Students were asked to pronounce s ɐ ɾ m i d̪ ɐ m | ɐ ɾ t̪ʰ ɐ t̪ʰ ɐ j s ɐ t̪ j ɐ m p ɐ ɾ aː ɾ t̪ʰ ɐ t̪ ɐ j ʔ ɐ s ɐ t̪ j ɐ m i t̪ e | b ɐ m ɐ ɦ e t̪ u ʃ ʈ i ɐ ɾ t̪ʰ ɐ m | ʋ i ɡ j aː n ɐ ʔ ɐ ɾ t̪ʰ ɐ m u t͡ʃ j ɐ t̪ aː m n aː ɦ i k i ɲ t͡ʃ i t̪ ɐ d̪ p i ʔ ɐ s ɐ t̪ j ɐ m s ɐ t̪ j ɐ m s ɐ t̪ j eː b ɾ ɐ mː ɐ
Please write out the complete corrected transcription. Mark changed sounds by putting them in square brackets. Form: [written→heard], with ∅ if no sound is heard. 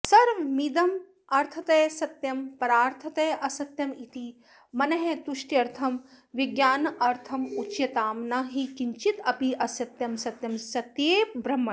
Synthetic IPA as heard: s ɐ ɾ m i d̪ ɐ m | ɐ ɾ t̪ʰ ɐ [t̪ʰ→t̪] ɐ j s ɐ t̪ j ɐ m p ɐ ɾ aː ɾ t̪ʰ ɐ t̪ ɐ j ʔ ɐ s ɐ t̪ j ɐ m i t̪ [e→i] | [b→m] ɐ [m→n] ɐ ɦ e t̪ u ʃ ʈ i ɐ ɾ t̪ʰ ɐ m | ʋ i ɡ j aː n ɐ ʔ ɐ ɾ t̪ʰ ɐ m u t͡ʃ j ɐ t̪ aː m n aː ɦ i k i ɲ t͡ʃ i t̪ ɐ [d̪→∅] p i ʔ ɐ s ɐ t̪ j ɐ m s ɐ t̪ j ɐ m s ɐ t̪ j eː b ɾ ɐ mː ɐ